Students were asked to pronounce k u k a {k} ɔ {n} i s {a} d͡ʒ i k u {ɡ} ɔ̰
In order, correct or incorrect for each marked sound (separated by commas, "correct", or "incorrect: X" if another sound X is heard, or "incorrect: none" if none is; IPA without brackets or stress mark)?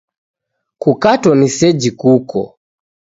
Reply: incorrect: t, correct, incorrect: ɛ, incorrect: k